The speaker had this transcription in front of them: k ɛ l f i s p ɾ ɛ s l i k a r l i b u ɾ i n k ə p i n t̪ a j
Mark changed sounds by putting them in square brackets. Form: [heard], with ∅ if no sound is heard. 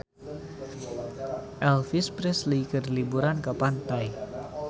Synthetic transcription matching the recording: [ʔ] ɛ l f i s p ɾ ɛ s l i k [ə] r l i b u ɾ [a] n k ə p [a] n t̪ a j